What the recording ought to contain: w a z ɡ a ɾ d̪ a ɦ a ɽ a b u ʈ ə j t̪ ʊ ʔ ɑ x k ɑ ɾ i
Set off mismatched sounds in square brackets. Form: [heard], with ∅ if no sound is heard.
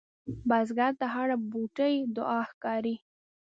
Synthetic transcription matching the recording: [b] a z ɡ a ɾ [t̪] a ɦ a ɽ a b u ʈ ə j [d̪] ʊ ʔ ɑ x k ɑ ɾ i